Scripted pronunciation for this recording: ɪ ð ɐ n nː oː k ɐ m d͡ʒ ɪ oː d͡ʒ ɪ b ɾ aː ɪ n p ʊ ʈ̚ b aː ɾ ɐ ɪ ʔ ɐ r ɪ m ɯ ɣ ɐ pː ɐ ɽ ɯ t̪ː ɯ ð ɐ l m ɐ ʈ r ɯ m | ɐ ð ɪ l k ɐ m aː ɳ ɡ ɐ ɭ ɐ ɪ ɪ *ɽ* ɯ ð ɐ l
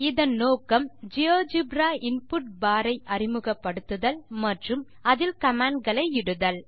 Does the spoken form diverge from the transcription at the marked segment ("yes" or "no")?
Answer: no